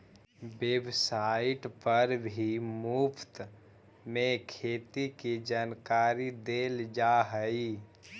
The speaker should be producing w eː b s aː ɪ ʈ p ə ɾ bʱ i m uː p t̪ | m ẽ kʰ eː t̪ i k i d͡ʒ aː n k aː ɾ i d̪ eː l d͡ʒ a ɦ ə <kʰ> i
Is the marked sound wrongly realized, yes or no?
yes